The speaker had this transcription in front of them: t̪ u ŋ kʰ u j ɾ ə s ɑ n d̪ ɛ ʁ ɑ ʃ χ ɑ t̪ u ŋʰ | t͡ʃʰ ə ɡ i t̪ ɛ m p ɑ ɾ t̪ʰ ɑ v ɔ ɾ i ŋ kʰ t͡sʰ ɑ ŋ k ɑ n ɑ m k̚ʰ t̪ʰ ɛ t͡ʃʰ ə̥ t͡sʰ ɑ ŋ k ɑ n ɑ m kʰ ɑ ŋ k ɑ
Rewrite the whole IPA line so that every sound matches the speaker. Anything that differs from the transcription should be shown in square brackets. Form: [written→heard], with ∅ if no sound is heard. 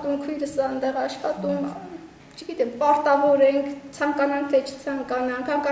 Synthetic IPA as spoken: t̪ u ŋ kʰ u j ɾ ə s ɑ n d̪ ɛ ʁ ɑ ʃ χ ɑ t̪ u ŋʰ | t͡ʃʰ ə ɡ i t̪ ɛ m p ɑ ɾ [t̪ʰ→t̪] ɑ v ɔ ɾ [i→ɛ] ŋ kʰ t͡sʰ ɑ ŋ k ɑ n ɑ [m→ŋ] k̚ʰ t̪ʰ ɛ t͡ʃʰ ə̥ t͡sʰ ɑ ŋ k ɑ n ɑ [m→ŋ] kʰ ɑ ŋ k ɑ